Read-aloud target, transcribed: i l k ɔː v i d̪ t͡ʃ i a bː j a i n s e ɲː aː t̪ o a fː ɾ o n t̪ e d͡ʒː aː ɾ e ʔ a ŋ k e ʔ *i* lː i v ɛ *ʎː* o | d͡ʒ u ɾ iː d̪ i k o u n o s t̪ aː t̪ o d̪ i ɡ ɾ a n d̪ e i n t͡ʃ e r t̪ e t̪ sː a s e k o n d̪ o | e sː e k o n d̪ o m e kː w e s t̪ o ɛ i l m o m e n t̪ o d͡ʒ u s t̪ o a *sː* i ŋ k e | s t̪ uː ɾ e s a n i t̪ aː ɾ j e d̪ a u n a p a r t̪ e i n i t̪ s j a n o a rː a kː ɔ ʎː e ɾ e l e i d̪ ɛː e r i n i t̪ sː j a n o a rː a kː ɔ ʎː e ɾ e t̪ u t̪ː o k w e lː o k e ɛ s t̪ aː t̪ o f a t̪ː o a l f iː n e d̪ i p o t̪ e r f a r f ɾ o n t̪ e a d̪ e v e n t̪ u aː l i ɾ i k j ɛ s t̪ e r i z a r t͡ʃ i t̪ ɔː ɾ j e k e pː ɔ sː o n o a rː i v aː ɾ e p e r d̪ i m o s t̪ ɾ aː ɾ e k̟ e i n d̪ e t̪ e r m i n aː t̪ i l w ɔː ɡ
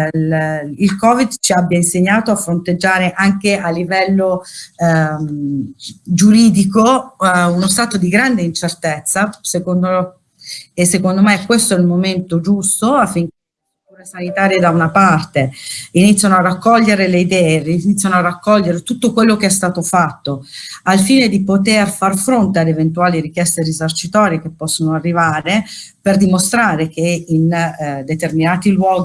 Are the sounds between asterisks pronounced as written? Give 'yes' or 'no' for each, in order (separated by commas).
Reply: no, no, no